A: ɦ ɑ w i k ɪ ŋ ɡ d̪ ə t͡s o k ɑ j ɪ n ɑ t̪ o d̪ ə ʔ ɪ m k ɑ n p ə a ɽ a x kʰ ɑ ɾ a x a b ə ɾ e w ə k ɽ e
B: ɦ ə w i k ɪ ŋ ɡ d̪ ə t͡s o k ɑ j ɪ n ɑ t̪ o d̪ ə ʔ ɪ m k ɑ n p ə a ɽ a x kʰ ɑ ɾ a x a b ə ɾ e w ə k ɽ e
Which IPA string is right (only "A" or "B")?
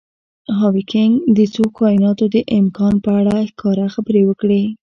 A